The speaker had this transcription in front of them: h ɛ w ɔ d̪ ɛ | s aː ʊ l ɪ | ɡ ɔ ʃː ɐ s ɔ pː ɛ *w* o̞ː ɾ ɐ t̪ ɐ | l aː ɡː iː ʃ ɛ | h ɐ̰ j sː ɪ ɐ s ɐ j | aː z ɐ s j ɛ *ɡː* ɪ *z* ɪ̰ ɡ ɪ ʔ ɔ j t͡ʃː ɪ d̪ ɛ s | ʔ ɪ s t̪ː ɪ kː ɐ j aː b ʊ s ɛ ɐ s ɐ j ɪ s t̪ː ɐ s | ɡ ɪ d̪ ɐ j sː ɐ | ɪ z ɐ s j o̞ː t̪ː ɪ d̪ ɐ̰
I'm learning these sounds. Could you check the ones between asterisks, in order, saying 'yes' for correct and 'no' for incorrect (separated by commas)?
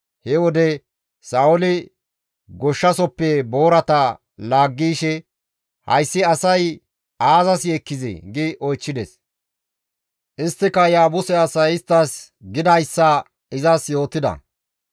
no, no, yes